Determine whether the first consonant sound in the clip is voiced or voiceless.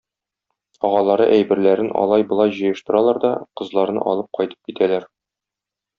voiced